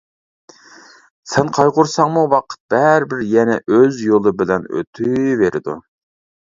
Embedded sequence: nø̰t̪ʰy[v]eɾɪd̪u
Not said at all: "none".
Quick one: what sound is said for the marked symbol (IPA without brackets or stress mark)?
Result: v